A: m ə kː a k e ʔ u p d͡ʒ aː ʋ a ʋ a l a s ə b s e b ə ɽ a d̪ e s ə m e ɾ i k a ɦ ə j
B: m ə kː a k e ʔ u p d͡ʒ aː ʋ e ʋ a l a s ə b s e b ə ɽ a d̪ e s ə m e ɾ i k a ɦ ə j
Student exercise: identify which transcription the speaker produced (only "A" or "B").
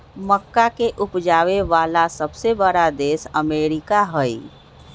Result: B